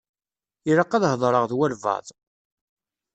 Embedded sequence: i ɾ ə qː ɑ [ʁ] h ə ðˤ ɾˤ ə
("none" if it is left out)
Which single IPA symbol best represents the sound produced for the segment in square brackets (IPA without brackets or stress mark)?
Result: ð